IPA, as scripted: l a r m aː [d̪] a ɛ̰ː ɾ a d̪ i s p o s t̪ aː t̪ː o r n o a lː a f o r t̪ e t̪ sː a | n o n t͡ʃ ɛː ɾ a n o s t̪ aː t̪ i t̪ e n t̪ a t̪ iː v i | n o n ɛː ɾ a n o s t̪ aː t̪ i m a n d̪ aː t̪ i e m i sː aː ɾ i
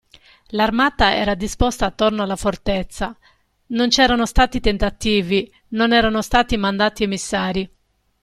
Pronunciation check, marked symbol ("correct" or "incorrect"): incorrect